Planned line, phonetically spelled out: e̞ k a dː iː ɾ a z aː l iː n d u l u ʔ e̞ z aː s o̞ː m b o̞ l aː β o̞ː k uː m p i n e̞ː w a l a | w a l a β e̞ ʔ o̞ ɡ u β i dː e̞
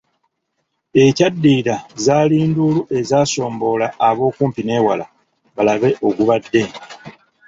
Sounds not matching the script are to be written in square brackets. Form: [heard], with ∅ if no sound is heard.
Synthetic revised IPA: e̞ [c] a dː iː ɾ a z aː l iː n d u l u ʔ e̞ z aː s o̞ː m b o̞ l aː β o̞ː k uː m p i n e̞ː w a l a | [β] a l a β e̞ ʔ o̞ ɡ u β [a] dː e̞